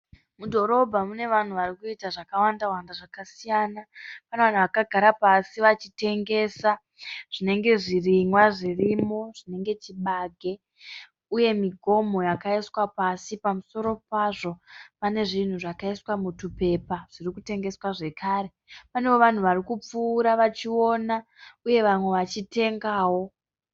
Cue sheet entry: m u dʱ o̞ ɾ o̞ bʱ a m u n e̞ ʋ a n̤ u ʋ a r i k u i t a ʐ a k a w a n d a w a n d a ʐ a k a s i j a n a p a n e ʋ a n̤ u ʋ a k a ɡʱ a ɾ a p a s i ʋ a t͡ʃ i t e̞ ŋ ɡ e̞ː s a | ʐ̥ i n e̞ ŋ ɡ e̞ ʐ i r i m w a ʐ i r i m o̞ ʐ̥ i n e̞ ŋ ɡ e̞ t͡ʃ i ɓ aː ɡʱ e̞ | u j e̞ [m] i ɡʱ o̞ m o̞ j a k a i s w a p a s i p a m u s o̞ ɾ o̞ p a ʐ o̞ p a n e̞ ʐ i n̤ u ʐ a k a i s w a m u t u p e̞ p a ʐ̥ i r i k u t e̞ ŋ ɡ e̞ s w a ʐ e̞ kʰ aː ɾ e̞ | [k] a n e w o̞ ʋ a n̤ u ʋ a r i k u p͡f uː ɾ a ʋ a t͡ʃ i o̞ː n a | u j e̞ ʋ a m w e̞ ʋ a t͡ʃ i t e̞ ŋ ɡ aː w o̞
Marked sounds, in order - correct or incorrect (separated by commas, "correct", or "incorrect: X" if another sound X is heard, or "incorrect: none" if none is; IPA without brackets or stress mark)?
correct, incorrect: p